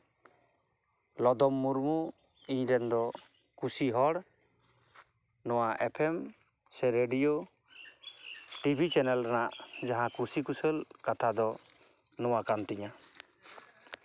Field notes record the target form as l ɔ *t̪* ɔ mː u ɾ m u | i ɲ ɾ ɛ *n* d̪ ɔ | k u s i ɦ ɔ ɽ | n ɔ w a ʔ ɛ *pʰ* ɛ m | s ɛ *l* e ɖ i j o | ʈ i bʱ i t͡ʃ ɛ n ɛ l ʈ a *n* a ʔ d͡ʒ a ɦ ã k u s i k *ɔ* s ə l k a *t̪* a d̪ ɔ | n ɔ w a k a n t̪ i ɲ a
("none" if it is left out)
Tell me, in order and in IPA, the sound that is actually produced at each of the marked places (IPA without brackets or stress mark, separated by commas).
d̪, n, pʰ, ɾ, n, u, t̪ʰ